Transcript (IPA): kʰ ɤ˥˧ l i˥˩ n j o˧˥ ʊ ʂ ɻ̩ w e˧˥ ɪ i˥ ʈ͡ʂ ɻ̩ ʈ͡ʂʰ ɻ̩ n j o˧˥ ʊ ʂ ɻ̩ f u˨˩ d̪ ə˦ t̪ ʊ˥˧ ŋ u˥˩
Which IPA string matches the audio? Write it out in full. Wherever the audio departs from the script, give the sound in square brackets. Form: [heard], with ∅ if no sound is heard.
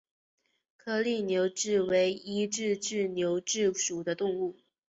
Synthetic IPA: kʰ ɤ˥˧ l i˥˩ n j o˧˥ ʊ [ʈ͡ʂ] ɻ̩ w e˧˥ ɪ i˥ ʈ͡ʂ ɻ̩ [ʈ͡ʂ] ɻ̩ n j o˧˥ ʊ [ʈ͡ʂ] ɻ̩ [ʂ] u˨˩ d̪ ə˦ t̪ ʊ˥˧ ŋ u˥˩